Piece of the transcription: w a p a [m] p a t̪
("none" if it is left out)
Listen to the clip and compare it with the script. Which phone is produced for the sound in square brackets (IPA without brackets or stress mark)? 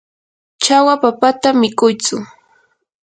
none